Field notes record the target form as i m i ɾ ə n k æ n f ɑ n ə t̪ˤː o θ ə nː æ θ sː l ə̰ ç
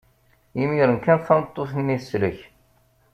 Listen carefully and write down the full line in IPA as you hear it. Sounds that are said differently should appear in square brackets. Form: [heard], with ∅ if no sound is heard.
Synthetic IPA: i m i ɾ ə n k æ n [θ] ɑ n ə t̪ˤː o θ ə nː [i] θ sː l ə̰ ç